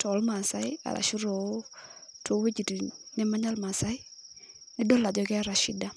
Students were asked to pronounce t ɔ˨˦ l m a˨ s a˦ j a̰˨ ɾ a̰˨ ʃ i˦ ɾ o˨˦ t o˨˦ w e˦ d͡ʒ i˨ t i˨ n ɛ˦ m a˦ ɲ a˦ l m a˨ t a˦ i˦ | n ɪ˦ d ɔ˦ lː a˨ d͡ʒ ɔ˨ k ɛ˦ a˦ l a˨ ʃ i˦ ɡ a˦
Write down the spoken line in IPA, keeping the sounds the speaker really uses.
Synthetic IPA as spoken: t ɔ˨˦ l m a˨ s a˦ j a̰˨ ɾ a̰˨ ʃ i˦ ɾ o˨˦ t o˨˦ w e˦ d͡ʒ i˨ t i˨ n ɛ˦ m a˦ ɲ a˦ l m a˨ s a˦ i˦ | n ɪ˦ d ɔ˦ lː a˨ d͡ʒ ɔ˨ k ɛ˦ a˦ ɾ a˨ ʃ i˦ d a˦

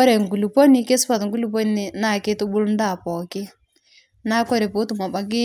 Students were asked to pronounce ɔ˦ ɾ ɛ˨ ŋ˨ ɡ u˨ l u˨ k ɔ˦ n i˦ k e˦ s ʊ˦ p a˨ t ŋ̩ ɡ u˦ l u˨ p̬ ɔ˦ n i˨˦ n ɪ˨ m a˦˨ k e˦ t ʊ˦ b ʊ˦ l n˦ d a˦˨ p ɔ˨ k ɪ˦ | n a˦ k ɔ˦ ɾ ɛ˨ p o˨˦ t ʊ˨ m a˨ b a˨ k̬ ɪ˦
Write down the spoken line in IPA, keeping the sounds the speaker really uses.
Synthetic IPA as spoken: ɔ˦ ɾ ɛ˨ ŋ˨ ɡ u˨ l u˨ p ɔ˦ n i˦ k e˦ s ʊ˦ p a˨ t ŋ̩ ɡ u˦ l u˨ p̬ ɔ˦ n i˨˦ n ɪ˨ n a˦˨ k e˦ t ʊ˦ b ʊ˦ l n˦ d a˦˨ p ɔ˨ k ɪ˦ | n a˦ k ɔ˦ ɾ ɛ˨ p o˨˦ t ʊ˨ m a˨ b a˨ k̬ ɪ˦

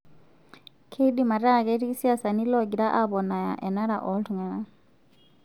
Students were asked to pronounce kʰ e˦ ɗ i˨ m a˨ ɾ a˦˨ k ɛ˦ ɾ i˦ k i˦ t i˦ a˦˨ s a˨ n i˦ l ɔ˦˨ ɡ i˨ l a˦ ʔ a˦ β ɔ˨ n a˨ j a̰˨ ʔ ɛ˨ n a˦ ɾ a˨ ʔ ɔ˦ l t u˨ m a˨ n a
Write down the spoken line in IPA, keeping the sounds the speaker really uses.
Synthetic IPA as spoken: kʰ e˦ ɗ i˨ m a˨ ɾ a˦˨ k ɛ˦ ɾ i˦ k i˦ s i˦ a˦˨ s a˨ n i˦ l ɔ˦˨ ɡ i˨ ɾ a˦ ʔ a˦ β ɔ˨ n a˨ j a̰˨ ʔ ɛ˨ n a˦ ɾ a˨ ʔ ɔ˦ l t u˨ ŋ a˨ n a

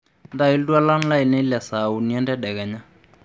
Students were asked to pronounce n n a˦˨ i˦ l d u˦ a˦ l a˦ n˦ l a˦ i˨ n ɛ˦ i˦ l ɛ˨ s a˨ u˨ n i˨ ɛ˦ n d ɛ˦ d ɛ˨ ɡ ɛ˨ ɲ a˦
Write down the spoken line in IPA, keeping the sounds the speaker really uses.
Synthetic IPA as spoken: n d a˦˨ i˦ l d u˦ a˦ l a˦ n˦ l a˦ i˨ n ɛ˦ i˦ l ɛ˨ s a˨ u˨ n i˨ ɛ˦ n d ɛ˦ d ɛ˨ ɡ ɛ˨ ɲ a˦

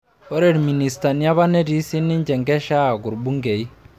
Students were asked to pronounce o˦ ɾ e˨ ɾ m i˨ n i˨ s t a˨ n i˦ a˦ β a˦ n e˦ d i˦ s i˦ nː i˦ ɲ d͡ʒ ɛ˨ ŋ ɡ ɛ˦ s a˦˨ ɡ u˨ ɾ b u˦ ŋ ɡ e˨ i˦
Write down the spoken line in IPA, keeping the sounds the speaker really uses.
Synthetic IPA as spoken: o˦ ɾ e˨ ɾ m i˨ n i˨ s t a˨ n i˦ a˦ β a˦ n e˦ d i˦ s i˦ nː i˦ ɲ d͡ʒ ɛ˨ ŋ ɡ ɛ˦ ʃ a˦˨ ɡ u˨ ɾ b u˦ ŋ ɡ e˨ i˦

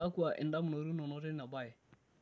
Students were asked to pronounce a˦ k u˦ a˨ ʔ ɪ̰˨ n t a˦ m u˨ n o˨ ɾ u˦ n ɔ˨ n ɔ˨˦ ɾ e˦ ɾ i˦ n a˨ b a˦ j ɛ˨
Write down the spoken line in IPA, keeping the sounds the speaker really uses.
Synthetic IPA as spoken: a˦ k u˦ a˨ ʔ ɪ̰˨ n d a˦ m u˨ n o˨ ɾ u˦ n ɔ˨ n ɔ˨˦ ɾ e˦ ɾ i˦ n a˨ b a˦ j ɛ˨

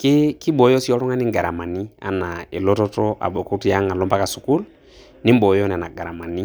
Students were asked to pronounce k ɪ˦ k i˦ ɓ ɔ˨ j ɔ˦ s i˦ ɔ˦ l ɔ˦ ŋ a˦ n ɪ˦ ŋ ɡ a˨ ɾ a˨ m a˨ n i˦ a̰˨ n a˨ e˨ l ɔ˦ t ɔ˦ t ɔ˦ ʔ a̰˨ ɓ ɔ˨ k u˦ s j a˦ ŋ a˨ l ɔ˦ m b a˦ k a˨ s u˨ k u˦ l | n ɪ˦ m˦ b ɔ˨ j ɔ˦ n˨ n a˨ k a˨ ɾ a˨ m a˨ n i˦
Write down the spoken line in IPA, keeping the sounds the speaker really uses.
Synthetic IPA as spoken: k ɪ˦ k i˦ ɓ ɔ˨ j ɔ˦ s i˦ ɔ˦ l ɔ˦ ŋ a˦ n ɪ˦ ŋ ɡ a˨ ɾ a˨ m a˨ n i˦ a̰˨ n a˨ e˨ l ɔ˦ t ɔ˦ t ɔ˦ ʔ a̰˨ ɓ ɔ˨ k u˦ t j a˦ ŋ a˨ l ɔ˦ m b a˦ k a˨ s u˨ k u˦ l | n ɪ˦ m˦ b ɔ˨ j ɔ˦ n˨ n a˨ ɡ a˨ ɾ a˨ m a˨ n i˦

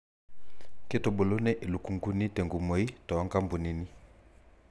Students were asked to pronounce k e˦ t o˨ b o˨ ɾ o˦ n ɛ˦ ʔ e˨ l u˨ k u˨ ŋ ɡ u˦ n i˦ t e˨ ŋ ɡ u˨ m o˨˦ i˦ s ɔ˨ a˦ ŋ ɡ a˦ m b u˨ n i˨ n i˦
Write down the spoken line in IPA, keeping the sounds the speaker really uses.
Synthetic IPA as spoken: k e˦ t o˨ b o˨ l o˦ n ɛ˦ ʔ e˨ l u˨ k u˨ ŋ ɡ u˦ n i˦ t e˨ ŋ ɡ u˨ m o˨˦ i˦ t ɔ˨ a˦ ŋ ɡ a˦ m b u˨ n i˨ n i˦

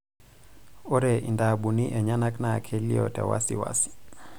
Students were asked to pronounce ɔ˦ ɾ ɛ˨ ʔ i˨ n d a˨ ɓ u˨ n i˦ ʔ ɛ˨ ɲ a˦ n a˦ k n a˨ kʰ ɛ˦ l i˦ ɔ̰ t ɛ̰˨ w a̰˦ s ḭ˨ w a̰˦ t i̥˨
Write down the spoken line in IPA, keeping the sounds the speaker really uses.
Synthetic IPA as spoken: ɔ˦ ɾ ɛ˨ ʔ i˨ n d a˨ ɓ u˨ n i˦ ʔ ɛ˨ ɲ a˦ n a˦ k n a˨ kʰ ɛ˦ l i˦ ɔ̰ t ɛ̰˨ w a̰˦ s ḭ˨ w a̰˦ s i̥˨

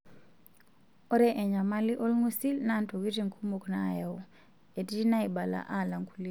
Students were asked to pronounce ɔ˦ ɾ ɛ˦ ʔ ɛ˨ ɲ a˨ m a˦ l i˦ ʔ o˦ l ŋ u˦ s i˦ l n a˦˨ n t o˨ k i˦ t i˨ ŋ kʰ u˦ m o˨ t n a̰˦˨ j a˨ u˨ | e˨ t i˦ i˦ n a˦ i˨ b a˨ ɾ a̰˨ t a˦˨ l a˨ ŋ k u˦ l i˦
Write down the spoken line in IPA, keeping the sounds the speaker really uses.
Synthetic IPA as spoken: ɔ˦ ɾ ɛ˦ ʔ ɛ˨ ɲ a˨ m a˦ l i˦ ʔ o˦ l ŋ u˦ s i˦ l n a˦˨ n t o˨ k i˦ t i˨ ŋ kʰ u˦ m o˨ k n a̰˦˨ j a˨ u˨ | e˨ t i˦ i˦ n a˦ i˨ b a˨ l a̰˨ ʔ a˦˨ l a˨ ŋ k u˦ l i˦

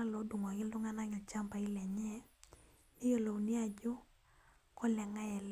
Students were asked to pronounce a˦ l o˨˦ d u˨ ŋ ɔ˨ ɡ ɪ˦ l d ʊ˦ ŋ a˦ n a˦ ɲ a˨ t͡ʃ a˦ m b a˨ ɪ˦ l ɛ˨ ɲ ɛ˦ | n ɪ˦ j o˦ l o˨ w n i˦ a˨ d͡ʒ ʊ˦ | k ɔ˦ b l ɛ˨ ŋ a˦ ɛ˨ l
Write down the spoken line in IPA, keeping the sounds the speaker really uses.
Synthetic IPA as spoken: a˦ l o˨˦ d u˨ ŋ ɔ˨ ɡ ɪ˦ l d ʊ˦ ŋ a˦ n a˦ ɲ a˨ t͡ʃ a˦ m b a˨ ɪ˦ l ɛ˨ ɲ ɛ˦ | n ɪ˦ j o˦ l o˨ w n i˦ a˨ d͡ʒ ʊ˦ | k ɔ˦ l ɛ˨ ŋ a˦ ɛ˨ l

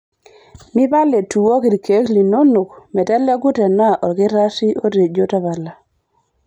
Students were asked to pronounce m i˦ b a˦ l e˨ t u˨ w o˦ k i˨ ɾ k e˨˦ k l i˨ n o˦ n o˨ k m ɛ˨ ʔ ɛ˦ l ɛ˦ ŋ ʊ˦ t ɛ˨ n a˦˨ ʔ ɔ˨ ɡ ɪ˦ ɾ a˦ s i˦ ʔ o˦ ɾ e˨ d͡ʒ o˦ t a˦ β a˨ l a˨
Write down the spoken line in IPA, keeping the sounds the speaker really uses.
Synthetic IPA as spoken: m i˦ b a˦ l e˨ t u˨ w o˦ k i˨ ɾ k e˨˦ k l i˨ n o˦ n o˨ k m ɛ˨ t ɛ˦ l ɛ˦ ɡ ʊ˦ t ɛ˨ n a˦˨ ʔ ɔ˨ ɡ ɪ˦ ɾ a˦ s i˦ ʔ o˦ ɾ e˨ d͡ʒ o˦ t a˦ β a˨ l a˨

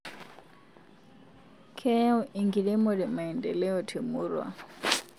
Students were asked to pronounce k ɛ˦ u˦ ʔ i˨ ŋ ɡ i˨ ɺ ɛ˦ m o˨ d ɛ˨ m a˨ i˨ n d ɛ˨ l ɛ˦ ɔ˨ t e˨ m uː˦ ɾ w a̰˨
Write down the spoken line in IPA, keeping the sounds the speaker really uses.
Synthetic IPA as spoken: kʰ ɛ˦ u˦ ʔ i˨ ŋ ɡ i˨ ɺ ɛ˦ m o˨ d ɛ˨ m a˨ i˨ n d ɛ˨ l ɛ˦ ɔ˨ tʰ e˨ m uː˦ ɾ w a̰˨

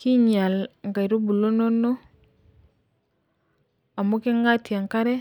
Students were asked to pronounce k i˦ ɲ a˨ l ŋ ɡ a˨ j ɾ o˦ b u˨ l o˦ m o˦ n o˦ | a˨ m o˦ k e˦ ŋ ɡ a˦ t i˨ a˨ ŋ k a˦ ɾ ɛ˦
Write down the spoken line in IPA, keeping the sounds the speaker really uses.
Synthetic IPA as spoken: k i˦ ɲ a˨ l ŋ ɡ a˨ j ɾ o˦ b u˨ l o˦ n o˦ n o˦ | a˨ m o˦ k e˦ ŋ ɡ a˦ t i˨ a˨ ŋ k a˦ ɾ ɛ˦

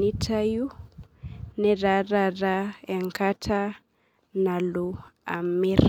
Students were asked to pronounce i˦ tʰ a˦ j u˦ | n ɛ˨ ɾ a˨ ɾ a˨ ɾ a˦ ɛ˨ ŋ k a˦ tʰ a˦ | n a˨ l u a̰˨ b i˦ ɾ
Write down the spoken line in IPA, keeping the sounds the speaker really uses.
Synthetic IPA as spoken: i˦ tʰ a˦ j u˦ | n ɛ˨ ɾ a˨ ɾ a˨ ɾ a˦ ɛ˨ ŋ k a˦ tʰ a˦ | n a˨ l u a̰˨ m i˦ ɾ

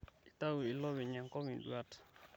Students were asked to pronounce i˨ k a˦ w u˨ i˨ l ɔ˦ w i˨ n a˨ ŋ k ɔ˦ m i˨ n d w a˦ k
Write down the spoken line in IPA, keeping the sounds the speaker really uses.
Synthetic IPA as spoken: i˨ t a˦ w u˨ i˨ l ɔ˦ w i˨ ɲ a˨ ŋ k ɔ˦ m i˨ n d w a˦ t

